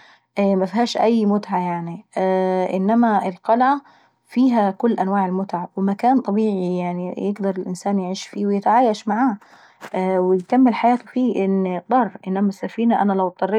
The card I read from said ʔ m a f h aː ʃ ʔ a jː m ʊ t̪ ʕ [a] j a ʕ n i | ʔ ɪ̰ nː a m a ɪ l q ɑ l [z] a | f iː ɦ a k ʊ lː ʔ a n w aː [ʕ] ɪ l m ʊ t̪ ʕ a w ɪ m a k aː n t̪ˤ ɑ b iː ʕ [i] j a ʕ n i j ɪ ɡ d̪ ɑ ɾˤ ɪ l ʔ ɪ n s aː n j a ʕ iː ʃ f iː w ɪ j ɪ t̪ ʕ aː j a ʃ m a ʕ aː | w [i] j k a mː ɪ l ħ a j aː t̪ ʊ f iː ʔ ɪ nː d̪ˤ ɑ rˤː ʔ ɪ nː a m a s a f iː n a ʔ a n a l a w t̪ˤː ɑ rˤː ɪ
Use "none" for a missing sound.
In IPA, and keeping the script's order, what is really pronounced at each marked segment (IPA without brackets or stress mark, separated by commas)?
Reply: a, ʕ, ʕ, i, ɪ